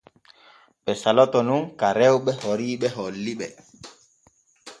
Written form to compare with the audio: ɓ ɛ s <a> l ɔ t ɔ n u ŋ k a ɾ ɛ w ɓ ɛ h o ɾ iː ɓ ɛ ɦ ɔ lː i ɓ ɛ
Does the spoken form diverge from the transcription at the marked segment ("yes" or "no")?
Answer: no